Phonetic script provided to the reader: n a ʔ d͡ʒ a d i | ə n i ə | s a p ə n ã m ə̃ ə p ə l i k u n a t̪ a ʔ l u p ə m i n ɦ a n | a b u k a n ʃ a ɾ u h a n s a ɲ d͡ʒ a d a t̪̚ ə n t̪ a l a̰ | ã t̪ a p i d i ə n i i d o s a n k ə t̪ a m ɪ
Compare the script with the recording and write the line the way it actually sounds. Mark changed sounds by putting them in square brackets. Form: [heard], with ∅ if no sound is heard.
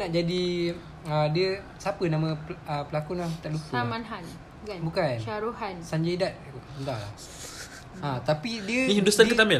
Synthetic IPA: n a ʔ d͡ʒ a d i | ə [d] i ə | s a p ə n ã m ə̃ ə p ə l [a] k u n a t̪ a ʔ l u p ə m [a] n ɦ a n | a b u k a n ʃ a ɾ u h a n s a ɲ d͡ʒ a d a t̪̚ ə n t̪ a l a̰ | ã t̪ a p i d i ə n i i d [u] s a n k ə t̪ a m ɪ